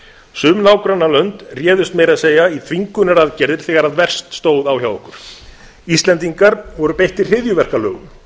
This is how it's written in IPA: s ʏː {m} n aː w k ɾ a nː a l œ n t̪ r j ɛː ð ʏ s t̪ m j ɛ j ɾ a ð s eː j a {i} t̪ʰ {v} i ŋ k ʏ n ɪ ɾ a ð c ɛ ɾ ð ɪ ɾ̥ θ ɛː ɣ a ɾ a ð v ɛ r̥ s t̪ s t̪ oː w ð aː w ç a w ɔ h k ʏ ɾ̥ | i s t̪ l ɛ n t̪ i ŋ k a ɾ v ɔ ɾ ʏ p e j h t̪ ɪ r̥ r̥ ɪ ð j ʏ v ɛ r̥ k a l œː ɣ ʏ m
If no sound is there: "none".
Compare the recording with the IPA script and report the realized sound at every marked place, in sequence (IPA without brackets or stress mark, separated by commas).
m, i, v